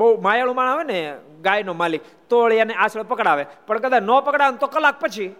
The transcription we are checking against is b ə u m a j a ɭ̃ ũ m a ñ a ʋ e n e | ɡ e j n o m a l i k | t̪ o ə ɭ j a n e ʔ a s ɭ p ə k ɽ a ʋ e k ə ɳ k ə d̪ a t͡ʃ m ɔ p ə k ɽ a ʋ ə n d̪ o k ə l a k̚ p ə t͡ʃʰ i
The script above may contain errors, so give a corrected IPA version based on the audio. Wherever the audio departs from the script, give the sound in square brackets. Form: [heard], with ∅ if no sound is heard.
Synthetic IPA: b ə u m a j a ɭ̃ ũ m a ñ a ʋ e n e | ɡ [a] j n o m a l i k | t̪ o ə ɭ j a n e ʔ a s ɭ p ə k ɽ a ʋ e [p] ə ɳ k ə d̪ a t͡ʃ [n] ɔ p ə k ɽ a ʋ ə n [t̪] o k ə l a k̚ p ə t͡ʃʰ i